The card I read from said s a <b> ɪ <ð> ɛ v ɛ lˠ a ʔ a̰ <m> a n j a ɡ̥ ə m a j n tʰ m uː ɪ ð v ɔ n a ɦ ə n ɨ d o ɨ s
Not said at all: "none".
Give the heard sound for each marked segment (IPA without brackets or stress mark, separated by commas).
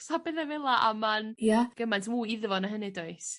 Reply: b, ð, m